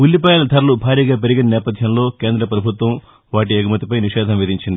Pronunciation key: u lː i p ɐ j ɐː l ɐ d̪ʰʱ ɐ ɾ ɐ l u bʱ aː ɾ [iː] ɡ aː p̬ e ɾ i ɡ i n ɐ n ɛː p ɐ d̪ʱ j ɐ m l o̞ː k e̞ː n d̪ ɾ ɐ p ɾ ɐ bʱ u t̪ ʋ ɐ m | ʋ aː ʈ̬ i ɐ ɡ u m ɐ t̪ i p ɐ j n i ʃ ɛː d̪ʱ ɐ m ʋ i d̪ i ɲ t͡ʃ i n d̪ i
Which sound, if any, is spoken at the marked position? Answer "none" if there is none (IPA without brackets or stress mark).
iː